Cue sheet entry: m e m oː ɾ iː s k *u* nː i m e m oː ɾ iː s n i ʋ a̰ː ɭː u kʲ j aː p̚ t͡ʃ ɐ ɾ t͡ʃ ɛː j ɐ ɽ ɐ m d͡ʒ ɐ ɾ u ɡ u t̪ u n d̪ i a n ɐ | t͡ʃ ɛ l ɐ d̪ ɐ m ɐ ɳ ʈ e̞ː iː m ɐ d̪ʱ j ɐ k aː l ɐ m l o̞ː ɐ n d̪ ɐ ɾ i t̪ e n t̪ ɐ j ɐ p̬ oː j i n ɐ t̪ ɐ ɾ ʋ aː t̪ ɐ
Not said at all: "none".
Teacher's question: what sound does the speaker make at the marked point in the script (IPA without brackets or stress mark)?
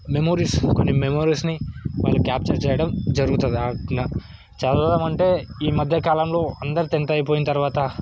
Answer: o